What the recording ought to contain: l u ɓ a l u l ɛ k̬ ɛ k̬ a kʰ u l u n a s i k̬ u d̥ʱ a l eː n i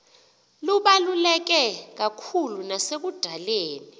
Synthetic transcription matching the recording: l u ɓ a l u l ɛ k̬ ɛ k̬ a kʰ u l u n a s e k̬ u d̥ʱ a l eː n i